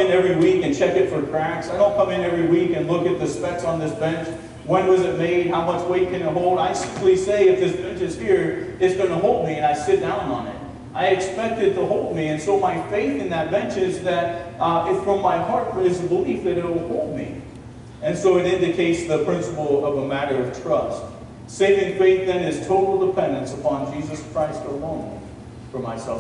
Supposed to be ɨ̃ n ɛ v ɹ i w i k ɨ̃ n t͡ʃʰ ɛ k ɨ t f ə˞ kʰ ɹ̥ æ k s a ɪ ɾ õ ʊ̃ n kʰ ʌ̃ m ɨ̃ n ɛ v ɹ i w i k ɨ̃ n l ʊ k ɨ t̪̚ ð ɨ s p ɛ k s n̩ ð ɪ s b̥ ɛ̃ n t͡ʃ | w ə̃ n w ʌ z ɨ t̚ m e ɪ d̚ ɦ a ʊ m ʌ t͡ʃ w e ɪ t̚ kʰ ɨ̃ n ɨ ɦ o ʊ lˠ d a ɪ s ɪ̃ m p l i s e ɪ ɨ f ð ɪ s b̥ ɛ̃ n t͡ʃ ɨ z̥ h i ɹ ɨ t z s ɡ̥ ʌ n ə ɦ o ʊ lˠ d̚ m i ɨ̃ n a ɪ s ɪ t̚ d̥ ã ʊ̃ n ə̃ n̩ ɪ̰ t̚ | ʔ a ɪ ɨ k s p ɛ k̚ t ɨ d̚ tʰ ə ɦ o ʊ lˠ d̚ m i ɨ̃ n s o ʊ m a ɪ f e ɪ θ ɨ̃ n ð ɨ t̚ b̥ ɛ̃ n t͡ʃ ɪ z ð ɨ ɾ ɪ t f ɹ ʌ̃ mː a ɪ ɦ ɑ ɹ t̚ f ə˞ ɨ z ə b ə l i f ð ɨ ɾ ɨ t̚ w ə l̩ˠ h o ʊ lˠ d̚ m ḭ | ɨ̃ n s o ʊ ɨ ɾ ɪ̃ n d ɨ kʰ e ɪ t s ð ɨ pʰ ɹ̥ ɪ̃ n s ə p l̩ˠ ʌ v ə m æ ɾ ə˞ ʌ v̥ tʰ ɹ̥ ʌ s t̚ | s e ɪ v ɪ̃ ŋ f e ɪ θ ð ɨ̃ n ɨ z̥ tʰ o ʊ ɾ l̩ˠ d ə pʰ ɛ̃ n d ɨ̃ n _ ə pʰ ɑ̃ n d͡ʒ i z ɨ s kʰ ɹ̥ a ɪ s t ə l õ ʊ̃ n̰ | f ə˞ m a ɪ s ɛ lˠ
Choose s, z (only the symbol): s